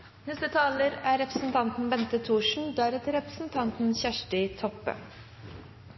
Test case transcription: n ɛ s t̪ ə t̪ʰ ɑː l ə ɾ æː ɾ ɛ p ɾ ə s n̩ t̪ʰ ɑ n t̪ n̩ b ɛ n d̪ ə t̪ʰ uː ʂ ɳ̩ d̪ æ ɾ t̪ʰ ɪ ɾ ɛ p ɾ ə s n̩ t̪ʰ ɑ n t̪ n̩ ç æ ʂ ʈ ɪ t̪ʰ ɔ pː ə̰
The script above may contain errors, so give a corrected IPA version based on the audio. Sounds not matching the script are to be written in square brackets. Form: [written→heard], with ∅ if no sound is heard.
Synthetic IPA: n ɛ s t̪ ə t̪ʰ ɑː l ə ɾ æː ɾ ɛ p ɾ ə s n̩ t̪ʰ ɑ n t̪ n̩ b ɛ n [d̪→t̪] ə t̪ʰ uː ʂ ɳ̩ d̪ æ ɾ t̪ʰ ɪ ɾ ɛ p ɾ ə s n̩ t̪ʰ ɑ n t̪ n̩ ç æ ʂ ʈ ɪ t̪ʰ ɔ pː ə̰